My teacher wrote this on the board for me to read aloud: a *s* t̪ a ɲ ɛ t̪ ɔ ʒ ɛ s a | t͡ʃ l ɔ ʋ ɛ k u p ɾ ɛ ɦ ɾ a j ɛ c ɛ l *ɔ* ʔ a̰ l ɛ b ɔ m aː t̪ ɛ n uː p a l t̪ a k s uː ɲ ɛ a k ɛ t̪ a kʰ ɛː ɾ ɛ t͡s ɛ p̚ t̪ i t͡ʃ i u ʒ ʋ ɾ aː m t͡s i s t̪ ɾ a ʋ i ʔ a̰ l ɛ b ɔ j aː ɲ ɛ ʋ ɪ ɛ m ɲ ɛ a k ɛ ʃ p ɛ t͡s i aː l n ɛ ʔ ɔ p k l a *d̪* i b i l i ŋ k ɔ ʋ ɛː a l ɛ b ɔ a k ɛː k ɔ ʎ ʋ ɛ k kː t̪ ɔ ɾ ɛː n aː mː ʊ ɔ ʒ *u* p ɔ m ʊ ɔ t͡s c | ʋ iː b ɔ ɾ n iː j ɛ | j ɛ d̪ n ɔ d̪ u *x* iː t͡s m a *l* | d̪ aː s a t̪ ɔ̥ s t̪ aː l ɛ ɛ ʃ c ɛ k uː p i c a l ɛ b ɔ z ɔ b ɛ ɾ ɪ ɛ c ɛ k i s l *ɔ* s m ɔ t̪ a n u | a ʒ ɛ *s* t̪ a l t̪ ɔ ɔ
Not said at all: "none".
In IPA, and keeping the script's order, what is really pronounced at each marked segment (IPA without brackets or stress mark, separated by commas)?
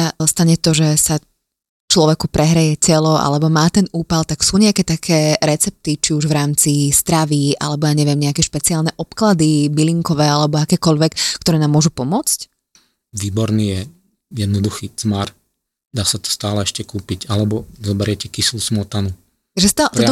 s, ɔ, d̪, u, x, ɾ, u, s